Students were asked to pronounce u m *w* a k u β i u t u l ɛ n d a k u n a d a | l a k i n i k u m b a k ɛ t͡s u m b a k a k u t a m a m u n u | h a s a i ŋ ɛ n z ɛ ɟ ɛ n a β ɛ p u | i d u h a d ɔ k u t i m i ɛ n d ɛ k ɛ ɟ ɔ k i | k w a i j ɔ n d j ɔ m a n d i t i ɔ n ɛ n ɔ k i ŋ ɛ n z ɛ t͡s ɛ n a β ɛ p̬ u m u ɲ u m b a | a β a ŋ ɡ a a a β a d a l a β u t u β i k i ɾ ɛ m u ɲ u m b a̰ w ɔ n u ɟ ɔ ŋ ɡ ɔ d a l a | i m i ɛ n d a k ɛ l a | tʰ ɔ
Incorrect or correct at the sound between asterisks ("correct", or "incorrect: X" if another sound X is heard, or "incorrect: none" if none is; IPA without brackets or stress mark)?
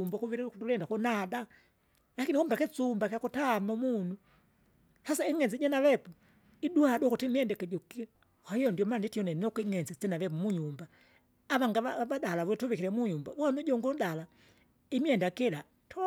incorrect: b